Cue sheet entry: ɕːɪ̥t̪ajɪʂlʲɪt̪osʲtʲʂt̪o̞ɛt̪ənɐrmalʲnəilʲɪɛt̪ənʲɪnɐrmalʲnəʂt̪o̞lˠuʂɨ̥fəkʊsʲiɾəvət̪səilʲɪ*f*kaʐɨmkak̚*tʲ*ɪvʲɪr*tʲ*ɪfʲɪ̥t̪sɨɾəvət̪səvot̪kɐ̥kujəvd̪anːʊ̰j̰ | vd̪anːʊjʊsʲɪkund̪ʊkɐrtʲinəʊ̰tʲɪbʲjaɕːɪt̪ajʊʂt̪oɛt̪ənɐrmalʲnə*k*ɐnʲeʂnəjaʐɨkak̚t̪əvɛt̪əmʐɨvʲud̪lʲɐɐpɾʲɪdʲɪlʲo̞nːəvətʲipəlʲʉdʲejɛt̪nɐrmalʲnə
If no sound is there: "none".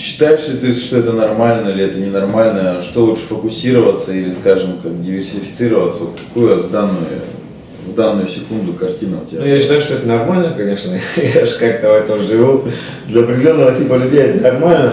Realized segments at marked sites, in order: s, dʲ, sʲ, k

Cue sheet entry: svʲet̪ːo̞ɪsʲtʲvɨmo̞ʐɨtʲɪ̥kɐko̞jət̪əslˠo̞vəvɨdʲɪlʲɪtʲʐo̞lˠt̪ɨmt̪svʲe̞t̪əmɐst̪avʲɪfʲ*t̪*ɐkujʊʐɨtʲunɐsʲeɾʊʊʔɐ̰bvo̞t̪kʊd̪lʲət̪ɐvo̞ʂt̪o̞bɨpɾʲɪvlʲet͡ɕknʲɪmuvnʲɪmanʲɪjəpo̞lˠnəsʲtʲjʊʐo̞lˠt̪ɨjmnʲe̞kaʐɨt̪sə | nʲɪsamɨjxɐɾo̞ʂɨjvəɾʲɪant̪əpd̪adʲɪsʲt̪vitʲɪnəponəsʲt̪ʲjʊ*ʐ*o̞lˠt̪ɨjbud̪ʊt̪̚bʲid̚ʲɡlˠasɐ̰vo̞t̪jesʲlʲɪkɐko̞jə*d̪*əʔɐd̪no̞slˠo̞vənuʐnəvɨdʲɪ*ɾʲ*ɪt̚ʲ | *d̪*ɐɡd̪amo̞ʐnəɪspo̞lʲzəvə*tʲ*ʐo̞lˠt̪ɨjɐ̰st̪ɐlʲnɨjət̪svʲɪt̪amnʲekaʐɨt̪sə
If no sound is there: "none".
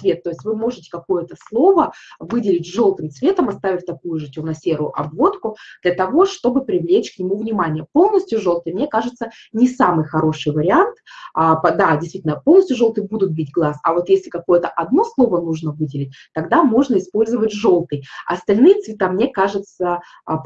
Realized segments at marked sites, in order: t̪, ʐ, t̪, lʲ, t̪, tʲ

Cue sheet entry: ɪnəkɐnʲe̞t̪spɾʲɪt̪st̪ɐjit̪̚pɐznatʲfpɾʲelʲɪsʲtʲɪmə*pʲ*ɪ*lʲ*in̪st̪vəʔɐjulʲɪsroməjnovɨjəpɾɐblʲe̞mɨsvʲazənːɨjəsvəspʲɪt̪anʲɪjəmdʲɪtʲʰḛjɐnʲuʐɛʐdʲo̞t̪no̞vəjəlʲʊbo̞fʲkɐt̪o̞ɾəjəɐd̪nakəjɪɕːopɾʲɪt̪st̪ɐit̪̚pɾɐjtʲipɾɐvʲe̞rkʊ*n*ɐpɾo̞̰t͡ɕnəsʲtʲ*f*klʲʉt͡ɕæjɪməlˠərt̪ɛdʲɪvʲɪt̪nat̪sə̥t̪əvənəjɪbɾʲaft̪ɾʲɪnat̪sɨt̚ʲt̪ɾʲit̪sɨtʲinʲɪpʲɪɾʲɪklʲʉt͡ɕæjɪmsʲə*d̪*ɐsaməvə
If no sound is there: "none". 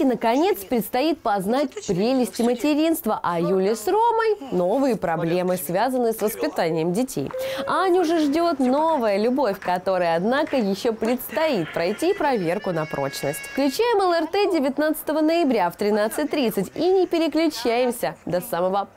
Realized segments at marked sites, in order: tʲ, ɾʲ, n, f, d̪

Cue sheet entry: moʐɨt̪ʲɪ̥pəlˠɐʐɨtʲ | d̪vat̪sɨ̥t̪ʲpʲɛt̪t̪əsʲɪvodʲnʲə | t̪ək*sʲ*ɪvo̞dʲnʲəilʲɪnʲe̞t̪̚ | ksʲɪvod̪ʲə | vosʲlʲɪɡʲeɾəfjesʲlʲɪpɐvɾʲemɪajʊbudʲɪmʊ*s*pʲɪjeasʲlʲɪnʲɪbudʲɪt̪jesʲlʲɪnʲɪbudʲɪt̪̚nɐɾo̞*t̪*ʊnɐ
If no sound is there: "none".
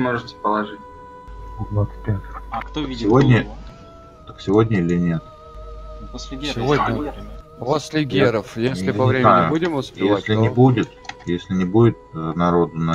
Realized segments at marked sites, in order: sʲ, s, d̪

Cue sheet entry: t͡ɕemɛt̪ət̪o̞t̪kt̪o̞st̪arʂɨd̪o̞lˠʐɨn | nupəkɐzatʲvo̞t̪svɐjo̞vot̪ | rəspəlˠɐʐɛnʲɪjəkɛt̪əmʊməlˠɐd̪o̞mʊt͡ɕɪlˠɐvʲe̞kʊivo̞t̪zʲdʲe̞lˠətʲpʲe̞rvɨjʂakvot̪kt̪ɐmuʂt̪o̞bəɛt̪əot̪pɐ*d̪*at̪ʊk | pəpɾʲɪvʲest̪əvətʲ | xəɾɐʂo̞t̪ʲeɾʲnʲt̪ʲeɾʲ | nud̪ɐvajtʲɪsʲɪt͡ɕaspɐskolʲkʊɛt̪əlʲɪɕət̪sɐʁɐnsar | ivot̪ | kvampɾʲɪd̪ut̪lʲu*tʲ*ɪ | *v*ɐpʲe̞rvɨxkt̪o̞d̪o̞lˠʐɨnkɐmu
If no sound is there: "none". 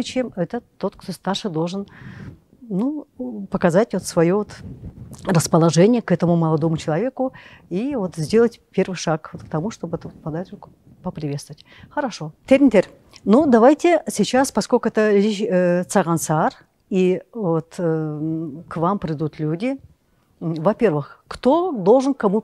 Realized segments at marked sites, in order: d̪, dʲ, v

